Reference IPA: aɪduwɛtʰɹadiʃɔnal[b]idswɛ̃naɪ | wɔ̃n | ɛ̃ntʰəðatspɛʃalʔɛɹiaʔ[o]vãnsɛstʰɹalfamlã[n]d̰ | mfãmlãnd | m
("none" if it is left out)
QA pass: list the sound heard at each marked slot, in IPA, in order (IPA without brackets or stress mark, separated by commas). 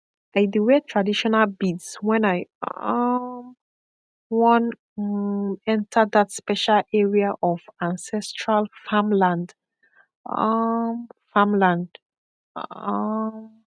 b, ɔ, n